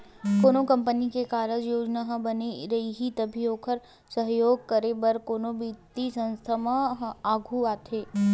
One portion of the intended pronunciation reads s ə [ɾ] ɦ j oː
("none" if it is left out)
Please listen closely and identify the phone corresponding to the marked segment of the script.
none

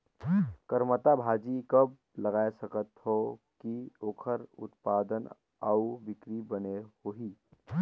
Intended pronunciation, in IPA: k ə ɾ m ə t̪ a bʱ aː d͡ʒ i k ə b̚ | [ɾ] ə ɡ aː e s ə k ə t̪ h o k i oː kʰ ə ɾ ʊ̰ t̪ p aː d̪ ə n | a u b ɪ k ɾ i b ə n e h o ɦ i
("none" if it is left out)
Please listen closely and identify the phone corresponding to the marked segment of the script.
l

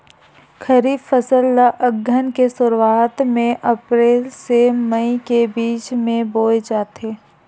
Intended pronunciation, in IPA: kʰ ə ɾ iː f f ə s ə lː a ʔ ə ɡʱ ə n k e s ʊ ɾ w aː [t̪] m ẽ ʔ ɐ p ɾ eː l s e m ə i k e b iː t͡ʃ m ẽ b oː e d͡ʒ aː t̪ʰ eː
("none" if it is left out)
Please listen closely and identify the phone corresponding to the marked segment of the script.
t̪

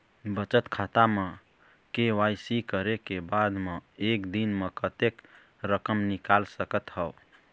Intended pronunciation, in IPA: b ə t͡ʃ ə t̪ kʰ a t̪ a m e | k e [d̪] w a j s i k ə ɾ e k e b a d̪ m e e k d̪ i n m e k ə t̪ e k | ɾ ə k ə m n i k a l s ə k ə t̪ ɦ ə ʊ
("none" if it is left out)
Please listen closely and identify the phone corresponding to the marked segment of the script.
none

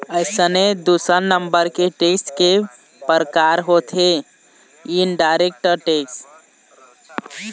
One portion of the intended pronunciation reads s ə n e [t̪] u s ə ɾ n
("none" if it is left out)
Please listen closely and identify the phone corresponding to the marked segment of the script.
d̪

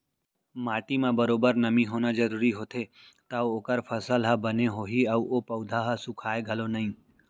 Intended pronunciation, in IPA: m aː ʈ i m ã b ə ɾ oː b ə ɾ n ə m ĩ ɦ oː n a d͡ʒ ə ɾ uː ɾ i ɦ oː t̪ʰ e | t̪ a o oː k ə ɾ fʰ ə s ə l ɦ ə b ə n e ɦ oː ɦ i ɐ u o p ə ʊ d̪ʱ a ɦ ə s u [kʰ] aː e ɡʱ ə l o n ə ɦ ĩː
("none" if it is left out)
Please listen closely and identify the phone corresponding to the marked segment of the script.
kʰ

